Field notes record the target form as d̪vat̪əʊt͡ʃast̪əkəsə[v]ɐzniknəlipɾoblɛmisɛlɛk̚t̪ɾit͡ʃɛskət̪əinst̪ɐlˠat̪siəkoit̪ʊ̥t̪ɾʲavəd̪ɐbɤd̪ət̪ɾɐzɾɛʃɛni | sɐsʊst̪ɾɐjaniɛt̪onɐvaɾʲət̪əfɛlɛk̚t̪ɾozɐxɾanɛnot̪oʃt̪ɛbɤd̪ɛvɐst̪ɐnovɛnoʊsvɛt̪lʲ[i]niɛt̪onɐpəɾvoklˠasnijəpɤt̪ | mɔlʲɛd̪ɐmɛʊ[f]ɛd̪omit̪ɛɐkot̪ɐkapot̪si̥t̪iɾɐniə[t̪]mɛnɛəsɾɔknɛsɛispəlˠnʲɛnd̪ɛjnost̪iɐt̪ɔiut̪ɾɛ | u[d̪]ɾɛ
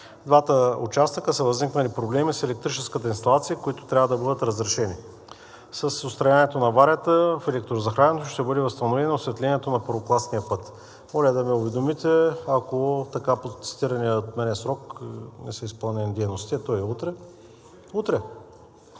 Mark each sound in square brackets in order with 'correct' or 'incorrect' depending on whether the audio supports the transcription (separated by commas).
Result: correct, incorrect, incorrect, correct, incorrect